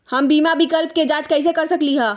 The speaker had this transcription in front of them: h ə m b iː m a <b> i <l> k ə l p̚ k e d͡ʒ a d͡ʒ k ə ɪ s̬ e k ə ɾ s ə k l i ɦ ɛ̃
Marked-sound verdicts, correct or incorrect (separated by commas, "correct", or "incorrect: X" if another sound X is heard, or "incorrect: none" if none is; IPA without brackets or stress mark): correct, incorrect: none